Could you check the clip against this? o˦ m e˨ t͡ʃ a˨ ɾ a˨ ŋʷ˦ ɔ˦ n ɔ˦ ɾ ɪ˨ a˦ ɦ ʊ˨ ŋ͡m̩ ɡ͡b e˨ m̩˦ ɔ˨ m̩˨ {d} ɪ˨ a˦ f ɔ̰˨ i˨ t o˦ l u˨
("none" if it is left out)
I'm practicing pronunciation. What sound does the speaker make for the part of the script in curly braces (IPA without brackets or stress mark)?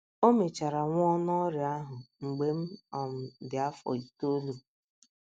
d